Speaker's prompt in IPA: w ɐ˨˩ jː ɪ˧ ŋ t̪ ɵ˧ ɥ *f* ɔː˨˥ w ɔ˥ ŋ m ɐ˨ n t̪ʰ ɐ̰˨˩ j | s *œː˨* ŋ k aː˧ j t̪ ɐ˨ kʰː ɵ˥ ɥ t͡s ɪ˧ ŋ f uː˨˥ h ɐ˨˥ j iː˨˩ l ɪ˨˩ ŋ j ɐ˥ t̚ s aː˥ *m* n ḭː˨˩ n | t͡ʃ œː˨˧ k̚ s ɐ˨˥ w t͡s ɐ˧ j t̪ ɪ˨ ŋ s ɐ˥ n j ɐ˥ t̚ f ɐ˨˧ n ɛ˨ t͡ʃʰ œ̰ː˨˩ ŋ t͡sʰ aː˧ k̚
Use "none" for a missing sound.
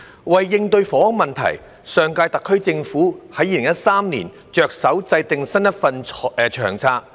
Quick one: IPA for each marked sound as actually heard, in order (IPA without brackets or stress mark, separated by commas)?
f, œː˨, m